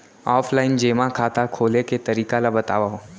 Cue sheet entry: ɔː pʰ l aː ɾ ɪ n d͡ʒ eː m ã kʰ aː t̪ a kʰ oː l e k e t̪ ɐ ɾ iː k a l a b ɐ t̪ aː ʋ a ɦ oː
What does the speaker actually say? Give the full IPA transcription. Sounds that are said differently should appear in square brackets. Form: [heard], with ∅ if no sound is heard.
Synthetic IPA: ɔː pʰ l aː [∅] ɪ n d͡ʒ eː m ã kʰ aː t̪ a kʰ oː l e k e t̪ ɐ ɾ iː k a l a b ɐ t̪ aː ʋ a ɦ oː